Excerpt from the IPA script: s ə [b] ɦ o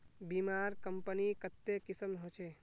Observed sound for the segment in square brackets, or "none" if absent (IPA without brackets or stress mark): m